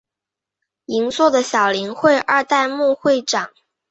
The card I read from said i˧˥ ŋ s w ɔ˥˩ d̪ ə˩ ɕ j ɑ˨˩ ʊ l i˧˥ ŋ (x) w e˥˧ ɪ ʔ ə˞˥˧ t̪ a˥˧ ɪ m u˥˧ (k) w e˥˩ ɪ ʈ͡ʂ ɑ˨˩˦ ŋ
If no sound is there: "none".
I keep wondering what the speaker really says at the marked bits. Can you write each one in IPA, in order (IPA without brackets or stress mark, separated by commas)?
x, x